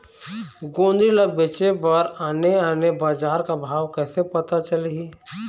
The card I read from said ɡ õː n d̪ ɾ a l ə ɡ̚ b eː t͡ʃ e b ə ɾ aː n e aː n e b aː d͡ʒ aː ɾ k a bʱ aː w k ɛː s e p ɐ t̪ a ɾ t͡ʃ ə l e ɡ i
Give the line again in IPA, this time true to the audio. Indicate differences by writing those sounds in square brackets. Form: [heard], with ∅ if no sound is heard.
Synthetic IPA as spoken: ɡ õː n d̪ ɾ [i] l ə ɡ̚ b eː t͡ʃ e b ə ɾ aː n e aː n e b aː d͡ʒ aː ɾ k a bʱ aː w k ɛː s e p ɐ t̪ a [∅] t͡ʃ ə l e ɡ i

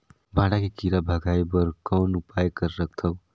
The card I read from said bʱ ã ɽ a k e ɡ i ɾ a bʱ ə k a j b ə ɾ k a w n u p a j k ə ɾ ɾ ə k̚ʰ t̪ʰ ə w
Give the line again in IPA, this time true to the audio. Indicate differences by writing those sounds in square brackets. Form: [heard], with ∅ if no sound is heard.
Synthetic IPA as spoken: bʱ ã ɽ a k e [k] i ɾ a bʱ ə [ɡ] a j b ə ɾ k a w n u p a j k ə ɾ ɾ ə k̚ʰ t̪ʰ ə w

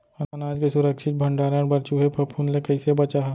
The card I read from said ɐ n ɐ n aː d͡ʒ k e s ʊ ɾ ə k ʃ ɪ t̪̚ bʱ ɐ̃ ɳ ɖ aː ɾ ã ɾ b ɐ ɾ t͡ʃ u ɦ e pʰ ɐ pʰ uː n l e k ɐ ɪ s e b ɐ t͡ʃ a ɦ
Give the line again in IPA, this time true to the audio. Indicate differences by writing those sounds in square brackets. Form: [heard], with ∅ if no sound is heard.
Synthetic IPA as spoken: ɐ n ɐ n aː d͡ʒ k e s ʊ ɾ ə k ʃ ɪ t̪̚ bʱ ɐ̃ ɳ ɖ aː ɾ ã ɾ b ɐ ɾ t͡ʃ u ɦ e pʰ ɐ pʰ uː n l e k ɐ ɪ s e b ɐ t͡ʃ a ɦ

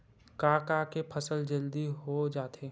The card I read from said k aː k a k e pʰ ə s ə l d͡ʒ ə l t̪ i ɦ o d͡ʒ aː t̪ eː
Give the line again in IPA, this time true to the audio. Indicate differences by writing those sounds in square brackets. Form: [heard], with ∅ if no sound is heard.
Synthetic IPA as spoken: k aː k a k e pʰ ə s ə l d͡ʒ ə l [d̪] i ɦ o d͡ʒ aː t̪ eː

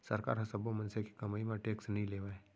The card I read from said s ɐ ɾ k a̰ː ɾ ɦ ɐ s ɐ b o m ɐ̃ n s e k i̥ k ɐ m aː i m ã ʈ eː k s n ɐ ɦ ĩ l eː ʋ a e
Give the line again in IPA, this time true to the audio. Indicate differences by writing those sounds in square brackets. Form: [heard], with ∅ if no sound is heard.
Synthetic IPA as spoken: s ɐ ɾ k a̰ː ɾ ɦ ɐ s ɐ b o m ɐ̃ n s e k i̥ k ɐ m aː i m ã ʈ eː k s n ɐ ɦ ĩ l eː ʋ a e

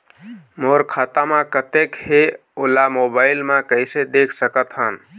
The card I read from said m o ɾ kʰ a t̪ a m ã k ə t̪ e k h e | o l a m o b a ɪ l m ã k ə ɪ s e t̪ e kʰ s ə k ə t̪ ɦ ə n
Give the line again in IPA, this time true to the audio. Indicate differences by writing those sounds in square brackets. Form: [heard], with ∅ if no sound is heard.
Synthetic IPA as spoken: m o ɾ kʰ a t̪ a m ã k ə t̪ e k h e | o l a m o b a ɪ l m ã k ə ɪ s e [d̪] e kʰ s ə k ə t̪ ɦ ə n

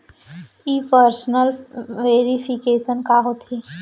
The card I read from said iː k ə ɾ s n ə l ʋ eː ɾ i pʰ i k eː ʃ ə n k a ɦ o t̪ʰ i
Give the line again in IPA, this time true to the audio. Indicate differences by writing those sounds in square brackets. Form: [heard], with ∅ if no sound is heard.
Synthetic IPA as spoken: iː [p] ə ɾ s n ə l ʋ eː ɾ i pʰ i k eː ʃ ə n k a ɦ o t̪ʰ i

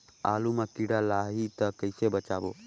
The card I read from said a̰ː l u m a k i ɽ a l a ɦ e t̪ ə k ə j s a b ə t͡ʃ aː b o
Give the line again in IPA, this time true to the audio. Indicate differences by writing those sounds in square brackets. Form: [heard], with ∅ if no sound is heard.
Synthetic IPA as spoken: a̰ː l u m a k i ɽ a l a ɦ [i] t̪ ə k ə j s [e] b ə t͡ʃ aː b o

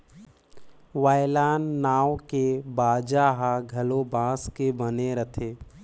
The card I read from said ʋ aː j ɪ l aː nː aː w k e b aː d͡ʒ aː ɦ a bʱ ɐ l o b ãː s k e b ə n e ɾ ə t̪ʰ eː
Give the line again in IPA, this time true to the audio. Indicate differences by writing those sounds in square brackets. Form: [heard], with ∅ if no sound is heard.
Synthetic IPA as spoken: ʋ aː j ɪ l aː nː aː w k e b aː d͡ʒ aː ɦ a [ɡʱ] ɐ l o b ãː s k e b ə n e ɾ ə t̪ʰ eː

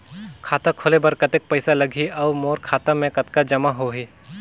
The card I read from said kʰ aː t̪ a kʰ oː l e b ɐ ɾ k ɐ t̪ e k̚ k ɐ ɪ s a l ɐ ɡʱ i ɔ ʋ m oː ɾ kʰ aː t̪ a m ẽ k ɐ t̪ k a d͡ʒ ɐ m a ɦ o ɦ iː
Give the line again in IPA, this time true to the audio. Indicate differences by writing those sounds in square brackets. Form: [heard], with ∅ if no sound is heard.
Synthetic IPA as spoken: kʰ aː t̪ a kʰ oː l e b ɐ ɾ k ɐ t̪ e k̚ [p] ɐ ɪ s a l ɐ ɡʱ i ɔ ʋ m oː ɾ kʰ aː t̪ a m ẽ k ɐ t̪ k a d͡ʒ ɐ m a ɦ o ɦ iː

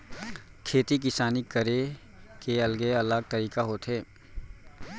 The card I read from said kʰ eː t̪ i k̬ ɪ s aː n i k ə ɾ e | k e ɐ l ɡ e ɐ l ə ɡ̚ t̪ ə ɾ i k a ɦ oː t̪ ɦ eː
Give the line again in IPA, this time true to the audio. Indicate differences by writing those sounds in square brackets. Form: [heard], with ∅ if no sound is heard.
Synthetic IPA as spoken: kʰ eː t̪ i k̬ ɪ s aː n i k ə ɾ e | k e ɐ l ɡ e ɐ l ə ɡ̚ t̪ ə ɾ [iː] k a ɦ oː t̪ ɦ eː

